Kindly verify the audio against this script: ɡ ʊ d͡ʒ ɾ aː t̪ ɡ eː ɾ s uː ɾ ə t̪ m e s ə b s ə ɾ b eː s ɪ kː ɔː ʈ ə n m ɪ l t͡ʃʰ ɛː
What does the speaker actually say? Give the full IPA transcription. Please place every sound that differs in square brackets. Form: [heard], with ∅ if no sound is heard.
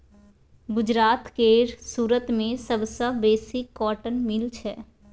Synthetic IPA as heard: ɡ ʊ d͡ʒ ɾ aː t̪ [k] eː ɾ s uː ɾ ə t̪ m [ẽ] s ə b s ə [∅] b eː s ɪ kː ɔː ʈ ə n m ɪ l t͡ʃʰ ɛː